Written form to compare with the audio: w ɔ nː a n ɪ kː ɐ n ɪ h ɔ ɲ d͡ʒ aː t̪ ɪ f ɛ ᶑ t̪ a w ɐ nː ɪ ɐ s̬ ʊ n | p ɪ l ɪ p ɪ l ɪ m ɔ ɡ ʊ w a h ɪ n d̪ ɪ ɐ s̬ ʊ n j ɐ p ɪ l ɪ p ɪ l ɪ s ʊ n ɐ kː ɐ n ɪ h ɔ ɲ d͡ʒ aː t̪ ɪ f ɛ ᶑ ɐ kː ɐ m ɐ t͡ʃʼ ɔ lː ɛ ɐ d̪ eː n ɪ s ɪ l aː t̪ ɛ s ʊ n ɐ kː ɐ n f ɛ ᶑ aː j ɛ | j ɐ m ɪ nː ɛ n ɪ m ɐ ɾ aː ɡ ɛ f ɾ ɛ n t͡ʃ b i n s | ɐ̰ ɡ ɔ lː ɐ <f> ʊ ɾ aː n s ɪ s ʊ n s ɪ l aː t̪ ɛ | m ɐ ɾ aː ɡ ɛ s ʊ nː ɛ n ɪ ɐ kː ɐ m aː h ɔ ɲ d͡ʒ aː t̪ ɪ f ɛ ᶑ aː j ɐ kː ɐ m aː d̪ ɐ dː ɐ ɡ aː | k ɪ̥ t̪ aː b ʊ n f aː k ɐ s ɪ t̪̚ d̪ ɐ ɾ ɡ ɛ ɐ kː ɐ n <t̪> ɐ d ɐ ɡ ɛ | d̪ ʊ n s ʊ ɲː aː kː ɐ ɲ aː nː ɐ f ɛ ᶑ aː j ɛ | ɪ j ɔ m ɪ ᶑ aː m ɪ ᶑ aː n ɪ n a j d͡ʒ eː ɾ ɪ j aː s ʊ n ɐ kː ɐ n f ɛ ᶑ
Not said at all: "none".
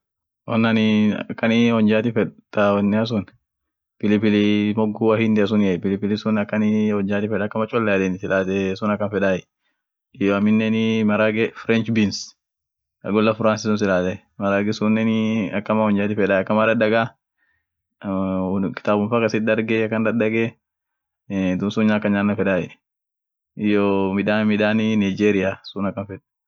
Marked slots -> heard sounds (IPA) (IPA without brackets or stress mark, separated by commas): f, d̪